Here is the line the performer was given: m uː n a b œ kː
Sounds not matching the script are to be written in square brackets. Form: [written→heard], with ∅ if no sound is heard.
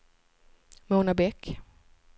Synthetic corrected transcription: m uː n a b [œ→ɛ] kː